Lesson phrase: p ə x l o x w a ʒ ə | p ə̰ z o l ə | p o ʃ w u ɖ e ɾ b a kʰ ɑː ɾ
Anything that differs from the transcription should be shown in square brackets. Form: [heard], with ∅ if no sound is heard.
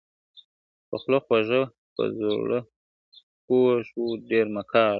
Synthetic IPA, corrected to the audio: p ə x l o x w a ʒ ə | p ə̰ z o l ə | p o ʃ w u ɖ e ɾ [m] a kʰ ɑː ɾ